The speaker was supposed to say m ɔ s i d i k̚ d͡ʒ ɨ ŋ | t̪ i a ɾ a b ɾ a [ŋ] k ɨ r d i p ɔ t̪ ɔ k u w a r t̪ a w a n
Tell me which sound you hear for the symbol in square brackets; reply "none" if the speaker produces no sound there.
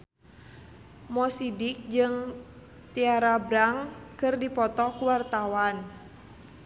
ŋ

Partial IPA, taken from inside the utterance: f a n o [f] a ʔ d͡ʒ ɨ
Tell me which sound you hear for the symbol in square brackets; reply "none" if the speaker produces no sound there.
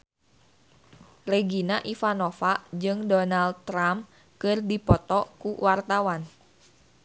f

